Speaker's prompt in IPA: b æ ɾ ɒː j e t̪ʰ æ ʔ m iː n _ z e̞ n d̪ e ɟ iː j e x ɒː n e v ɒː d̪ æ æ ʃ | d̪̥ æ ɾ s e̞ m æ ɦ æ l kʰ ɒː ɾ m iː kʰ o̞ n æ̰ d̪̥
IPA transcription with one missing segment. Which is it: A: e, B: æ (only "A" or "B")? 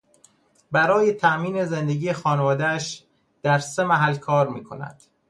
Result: A